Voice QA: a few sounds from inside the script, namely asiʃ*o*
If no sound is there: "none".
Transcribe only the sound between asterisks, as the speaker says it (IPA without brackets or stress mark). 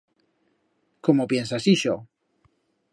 o